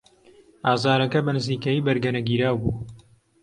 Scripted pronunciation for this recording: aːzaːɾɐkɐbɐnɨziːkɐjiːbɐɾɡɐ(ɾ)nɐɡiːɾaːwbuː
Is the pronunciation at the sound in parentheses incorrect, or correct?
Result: incorrect: none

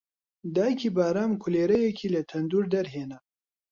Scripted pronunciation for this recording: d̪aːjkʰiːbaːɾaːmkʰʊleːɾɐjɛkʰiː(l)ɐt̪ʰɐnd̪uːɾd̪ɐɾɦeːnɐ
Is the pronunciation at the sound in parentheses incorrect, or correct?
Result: correct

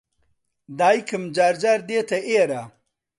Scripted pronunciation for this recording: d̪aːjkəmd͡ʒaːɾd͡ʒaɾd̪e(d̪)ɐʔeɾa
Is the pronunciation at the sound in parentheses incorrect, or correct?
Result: incorrect: t̪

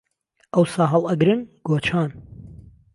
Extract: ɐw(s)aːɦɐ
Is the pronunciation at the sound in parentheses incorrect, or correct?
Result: correct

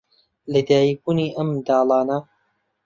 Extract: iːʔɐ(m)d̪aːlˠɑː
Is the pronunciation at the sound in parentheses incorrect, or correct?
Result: correct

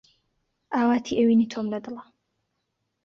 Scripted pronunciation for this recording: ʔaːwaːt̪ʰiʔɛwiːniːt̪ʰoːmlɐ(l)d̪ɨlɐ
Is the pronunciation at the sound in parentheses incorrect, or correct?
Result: incorrect: none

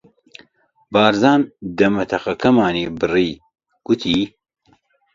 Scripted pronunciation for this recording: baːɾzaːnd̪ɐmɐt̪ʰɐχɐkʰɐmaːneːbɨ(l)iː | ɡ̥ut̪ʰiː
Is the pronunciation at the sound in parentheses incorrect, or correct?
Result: incorrect: r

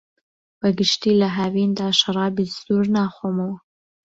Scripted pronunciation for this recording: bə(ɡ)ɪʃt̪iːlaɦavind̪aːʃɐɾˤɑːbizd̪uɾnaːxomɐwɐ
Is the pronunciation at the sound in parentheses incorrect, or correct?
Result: correct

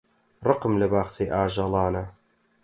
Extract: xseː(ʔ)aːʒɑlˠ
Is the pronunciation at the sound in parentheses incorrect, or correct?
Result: correct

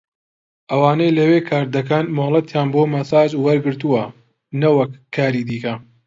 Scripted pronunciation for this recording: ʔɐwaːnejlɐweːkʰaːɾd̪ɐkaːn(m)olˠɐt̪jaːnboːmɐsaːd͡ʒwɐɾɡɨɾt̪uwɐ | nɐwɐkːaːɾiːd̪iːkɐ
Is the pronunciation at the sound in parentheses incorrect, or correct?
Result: correct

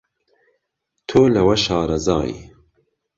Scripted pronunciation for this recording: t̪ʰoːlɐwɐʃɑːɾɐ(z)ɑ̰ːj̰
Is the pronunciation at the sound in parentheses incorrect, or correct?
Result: correct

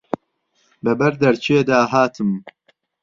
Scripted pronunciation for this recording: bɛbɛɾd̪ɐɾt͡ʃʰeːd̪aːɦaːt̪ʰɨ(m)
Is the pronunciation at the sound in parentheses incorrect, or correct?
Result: correct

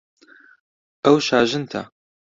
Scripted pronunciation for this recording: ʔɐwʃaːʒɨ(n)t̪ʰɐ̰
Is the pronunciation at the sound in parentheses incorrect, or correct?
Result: correct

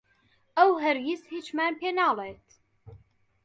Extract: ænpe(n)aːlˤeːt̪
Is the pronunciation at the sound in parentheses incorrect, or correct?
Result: correct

